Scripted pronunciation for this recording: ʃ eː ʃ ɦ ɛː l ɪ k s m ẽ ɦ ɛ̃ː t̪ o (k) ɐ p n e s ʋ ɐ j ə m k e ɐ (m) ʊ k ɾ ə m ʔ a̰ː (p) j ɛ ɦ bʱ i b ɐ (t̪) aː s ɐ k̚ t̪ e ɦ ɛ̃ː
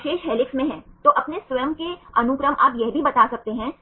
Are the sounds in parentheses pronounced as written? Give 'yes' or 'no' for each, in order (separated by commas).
no, no, yes, yes